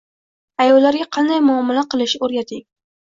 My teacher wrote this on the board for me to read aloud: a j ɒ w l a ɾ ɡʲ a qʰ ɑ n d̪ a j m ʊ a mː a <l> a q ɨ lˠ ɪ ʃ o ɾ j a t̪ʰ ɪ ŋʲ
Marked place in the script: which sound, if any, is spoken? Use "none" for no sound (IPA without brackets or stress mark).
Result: l